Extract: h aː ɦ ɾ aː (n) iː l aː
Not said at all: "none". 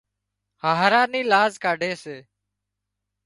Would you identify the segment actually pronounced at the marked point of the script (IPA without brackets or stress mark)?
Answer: n